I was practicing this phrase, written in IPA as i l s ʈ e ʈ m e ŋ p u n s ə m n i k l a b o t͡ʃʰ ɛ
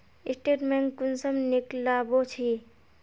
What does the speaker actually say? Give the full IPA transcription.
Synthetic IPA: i s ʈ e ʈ m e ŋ k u n s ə m n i k l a b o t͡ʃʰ i